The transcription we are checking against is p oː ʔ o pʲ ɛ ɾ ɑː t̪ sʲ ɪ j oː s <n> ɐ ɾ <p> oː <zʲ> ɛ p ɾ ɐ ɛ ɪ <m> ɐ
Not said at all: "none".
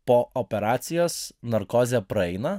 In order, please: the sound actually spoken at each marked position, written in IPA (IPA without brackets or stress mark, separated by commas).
n, k, zʲ, n